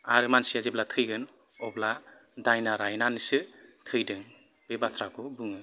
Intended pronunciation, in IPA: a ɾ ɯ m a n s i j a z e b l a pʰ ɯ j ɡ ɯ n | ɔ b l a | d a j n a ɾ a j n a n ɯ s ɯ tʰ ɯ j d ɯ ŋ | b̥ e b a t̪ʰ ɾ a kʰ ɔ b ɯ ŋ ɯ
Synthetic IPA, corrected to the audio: a ɾ ɯ m a n s i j a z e b l a tʰ ɯ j ɡ ɯ n | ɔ b l a | d a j n a ɾ a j n a n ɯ s ɯ tʰ ɯ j d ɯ ŋ | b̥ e b a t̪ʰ ɾ a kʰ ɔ b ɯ ŋ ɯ